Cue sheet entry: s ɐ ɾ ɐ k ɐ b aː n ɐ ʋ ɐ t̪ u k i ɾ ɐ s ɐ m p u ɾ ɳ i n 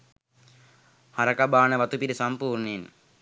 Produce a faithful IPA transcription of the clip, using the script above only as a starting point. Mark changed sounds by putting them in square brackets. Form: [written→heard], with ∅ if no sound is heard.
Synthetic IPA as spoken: [s→h] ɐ ɾ ɐ k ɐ b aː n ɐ ʋ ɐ t̪ u [k→p] i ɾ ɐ s ɐ m p [u→uː] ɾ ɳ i n